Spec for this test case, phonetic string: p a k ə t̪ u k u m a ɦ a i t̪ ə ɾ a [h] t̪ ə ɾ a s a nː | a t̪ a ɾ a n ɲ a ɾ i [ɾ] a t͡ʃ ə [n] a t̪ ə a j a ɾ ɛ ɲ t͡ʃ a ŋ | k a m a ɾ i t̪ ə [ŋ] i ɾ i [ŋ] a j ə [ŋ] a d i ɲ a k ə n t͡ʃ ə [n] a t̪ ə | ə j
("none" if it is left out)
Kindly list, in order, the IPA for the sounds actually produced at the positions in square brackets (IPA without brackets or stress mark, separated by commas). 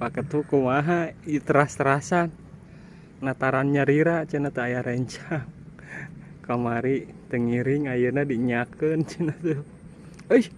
s, ɾ, n, ŋ, ŋ, n, n